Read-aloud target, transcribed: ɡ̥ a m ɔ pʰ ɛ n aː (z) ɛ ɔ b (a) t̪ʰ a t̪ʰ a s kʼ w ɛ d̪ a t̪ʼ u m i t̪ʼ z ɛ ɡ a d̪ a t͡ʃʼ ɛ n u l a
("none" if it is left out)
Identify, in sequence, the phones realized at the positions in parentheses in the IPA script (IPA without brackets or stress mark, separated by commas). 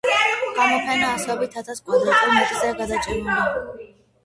s, i